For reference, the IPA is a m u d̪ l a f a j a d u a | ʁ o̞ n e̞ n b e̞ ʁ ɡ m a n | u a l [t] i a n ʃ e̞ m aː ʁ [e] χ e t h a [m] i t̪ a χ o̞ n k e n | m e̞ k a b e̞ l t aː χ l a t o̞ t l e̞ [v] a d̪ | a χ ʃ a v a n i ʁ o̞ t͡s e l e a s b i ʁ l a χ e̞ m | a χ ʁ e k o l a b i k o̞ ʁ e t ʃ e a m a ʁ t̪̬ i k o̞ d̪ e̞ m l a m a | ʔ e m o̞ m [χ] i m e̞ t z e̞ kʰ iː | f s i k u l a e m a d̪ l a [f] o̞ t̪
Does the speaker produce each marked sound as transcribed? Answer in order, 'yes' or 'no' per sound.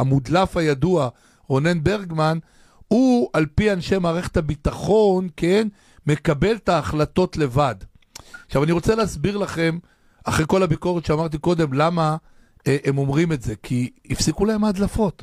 no, yes, no, yes, no, yes

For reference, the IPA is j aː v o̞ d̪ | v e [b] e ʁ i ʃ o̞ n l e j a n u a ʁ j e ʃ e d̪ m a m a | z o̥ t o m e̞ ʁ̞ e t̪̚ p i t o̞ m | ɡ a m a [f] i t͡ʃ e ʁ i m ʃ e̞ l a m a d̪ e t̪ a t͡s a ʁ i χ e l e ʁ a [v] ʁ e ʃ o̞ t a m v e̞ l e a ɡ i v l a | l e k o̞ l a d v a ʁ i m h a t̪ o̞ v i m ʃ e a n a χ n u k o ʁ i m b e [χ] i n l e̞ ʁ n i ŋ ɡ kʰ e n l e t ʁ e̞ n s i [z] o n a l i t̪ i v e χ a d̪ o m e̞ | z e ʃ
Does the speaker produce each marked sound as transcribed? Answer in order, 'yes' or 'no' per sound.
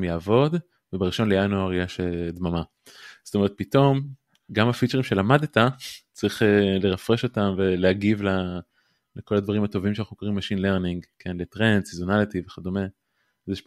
yes, yes, no, no, yes

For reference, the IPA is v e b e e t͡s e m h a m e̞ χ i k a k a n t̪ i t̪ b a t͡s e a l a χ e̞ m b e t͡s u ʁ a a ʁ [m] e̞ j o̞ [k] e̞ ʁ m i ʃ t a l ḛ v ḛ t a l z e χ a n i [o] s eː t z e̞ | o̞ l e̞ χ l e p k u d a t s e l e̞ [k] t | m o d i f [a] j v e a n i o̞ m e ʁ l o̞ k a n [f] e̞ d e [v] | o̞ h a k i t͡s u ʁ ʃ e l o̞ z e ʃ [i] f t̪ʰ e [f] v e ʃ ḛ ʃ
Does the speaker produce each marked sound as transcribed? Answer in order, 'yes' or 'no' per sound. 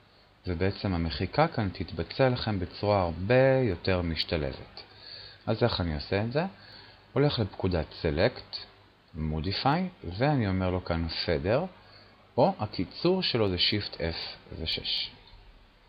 no, no, yes, yes, yes, yes, no, yes, yes

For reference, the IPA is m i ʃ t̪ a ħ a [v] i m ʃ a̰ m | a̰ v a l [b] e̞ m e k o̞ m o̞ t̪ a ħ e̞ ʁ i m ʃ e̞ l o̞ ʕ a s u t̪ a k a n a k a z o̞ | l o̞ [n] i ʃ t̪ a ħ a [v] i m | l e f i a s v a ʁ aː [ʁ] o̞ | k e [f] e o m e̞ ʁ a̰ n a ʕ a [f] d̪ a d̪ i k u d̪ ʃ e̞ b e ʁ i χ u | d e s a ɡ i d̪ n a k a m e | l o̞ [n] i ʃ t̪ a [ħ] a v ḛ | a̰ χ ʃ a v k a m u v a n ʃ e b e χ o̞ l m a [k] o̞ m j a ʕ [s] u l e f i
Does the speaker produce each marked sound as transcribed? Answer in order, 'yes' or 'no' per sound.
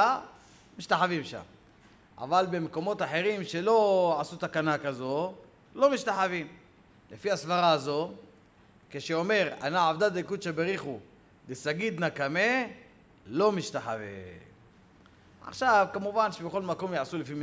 yes, yes, no, yes, no, no, no, no, yes, yes, yes

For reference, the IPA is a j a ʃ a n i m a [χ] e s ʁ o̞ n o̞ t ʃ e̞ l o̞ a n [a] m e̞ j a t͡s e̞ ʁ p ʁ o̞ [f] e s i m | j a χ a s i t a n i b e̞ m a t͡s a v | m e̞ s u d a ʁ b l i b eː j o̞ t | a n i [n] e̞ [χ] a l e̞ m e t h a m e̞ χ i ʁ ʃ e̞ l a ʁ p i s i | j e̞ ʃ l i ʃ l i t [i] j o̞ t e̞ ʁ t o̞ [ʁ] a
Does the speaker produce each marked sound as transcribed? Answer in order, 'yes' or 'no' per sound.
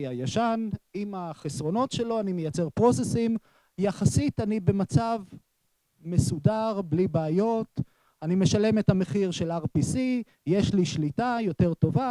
yes, no, no, no, no, no, no

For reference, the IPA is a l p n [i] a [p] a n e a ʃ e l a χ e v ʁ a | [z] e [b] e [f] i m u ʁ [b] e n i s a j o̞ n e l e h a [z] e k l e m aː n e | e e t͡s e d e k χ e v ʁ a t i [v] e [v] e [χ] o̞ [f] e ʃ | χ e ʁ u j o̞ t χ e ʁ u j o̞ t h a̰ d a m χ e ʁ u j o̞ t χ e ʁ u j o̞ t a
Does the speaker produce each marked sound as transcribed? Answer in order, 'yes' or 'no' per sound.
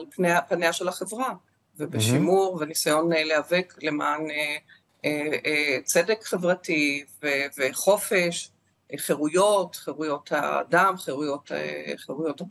no, yes, no, yes, no, no, no, yes, yes, yes, yes

